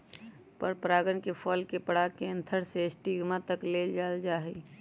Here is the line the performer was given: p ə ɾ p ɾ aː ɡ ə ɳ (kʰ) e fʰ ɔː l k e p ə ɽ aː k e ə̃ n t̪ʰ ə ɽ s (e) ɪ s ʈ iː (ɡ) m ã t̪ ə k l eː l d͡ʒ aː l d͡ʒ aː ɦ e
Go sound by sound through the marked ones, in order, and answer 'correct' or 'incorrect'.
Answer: incorrect: k, correct, correct

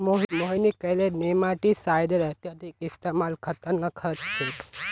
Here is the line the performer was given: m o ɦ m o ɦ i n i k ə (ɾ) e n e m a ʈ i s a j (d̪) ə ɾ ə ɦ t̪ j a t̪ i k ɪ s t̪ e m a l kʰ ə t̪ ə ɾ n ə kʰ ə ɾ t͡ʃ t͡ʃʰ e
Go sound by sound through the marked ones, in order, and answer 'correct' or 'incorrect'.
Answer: incorrect: l, correct

